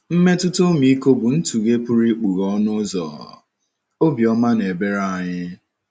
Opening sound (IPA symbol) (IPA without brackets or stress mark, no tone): m̩